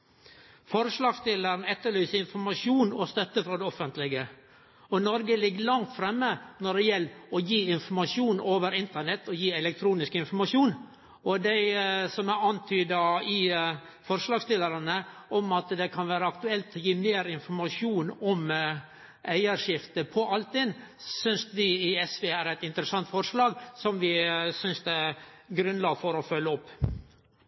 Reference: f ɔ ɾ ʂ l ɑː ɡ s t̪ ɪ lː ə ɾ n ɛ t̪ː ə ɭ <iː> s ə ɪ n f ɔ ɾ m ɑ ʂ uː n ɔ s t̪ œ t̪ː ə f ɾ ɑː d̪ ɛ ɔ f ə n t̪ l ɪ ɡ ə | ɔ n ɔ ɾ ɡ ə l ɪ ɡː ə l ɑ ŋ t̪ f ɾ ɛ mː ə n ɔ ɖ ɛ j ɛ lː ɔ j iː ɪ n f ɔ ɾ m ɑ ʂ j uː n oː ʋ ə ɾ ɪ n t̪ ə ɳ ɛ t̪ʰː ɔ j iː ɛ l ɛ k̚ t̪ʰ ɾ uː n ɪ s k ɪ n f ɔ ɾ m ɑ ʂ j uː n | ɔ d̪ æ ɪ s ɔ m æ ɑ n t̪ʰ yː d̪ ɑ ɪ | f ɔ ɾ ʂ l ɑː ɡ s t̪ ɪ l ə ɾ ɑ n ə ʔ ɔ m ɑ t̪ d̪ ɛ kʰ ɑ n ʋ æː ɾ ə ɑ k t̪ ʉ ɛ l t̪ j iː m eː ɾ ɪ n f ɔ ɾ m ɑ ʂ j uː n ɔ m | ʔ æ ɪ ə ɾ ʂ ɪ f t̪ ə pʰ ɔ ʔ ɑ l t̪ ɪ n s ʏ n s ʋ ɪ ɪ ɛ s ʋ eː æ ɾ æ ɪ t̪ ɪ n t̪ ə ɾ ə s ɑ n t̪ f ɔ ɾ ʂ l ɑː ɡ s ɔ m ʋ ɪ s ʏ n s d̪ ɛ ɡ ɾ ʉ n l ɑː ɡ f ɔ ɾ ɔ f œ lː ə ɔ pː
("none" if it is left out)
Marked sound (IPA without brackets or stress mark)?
yː